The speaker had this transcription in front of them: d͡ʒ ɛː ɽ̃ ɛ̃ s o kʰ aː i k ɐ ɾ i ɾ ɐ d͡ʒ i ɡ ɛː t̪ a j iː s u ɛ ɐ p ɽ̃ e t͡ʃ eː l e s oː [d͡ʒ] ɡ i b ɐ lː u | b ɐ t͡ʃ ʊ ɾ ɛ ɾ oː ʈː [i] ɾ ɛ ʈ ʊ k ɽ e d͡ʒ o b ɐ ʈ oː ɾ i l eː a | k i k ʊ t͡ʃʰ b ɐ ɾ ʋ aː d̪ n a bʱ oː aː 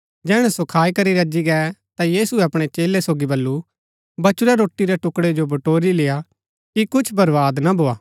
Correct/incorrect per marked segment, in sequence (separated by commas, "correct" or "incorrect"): incorrect, correct